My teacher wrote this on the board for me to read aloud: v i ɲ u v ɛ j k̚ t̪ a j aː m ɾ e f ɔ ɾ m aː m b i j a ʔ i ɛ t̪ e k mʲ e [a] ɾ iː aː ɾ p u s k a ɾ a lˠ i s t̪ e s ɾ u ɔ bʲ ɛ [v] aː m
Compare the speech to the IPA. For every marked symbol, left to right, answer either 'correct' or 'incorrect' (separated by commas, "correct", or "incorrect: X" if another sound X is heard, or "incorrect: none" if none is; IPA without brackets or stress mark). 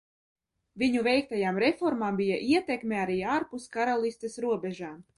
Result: correct, incorrect: ʒ